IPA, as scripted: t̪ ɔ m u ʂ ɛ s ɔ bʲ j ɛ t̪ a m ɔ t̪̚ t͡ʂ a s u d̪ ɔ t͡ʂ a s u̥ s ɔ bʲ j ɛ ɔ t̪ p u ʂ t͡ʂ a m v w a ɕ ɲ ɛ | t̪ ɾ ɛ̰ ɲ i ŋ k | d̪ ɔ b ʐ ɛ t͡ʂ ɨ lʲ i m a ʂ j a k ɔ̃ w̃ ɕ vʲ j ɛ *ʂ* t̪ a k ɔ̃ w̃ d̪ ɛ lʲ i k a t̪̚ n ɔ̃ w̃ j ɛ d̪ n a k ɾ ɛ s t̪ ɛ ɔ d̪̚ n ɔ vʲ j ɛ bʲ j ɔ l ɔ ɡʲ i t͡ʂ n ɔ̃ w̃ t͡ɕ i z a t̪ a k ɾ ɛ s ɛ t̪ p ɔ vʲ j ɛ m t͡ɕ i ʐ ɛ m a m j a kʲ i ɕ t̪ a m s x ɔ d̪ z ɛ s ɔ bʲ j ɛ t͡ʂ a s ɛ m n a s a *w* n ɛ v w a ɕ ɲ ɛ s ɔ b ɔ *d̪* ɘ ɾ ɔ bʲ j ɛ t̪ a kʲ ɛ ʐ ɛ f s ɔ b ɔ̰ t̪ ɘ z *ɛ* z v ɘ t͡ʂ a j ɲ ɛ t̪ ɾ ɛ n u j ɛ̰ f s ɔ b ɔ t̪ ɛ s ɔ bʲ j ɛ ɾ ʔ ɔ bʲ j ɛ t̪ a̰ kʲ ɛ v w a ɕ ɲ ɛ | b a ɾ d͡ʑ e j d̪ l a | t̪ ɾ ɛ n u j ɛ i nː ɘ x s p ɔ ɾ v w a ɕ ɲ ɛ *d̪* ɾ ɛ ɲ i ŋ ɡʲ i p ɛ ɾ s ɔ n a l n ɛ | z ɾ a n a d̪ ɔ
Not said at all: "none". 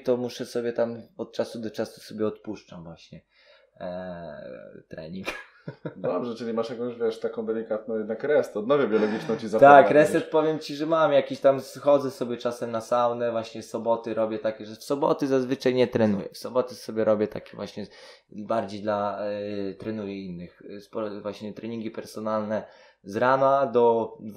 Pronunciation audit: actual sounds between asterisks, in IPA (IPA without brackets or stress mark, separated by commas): ʂ, w, t̪, a, t̪